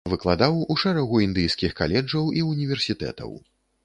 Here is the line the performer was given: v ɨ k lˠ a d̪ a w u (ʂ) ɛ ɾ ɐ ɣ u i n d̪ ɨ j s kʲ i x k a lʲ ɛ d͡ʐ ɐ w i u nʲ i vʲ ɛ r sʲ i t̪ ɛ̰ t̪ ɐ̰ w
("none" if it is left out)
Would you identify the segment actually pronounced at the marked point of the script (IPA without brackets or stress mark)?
ʂ